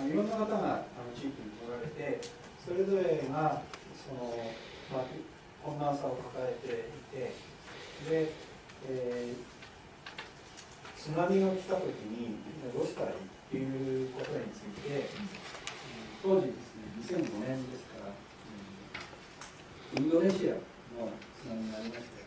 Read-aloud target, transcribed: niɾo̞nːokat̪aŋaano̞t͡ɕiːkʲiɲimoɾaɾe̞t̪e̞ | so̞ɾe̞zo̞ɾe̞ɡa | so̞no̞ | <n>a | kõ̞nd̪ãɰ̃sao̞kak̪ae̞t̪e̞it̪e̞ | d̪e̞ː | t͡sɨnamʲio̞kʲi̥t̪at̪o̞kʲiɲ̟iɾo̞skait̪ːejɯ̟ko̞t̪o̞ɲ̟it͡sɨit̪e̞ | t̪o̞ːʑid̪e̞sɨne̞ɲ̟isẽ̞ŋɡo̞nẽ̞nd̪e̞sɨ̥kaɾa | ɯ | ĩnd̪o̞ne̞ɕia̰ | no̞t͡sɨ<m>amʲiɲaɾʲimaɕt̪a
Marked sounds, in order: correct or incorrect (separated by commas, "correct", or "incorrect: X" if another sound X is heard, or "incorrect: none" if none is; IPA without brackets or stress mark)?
incorrect: m, incorrect: n